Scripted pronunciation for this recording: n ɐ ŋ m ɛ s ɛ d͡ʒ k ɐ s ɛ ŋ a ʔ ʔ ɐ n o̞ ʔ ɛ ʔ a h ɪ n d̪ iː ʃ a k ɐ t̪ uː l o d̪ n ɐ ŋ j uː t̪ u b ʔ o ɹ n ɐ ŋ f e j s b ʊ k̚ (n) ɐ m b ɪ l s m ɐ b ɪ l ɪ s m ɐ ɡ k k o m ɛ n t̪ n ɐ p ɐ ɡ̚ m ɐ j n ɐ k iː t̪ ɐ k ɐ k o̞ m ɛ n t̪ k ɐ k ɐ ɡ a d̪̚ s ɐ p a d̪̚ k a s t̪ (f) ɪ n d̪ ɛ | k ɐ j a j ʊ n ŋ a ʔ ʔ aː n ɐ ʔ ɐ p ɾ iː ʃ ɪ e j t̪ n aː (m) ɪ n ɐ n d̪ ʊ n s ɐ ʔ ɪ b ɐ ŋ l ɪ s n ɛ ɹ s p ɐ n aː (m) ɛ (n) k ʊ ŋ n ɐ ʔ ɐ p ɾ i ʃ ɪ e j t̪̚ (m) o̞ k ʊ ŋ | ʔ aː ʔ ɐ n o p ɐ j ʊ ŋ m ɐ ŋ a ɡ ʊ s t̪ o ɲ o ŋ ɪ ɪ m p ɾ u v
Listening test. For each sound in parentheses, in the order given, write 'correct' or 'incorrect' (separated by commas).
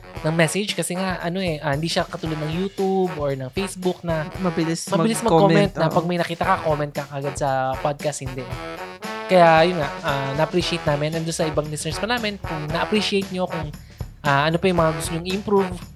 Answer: correct, incorrect, correct, correct, correct, incorrect